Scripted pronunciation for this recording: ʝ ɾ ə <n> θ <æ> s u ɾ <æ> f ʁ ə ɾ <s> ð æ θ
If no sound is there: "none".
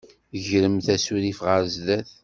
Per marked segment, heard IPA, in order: m, æ, i, z

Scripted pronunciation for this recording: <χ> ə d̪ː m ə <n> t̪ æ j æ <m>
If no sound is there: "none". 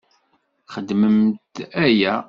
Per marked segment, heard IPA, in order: χ, m, none

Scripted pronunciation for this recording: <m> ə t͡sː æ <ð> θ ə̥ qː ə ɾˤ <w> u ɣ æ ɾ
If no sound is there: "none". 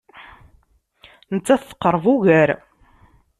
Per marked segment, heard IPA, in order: n, θ, v

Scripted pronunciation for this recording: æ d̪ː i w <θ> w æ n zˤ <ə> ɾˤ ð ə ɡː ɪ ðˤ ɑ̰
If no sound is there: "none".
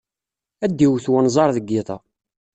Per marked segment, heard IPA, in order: θ, ɑ

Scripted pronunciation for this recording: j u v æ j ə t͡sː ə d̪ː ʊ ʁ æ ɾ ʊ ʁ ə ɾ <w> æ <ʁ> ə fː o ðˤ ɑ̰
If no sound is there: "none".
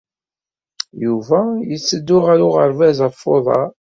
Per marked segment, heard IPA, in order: v, z

